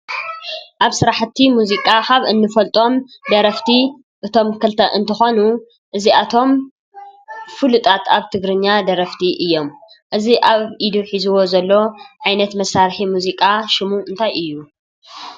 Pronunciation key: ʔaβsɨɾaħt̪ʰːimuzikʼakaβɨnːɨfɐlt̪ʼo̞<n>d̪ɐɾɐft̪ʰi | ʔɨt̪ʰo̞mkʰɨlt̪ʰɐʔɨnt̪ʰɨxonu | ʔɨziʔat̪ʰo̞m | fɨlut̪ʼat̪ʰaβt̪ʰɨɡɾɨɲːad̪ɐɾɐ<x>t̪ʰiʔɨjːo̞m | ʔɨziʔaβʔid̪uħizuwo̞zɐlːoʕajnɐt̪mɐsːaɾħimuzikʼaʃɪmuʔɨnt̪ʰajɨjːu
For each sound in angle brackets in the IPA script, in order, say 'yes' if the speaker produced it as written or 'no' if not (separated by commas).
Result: no, no